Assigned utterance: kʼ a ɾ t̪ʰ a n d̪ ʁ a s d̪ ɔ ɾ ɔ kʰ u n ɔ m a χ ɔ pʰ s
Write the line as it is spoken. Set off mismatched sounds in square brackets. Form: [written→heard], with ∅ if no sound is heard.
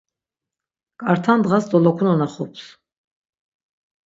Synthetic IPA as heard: kʼ a ɾ t̪ʰ a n d̪ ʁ a s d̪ ɔ [ɾ→l] ɔ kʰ u n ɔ [m→n] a χ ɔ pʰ s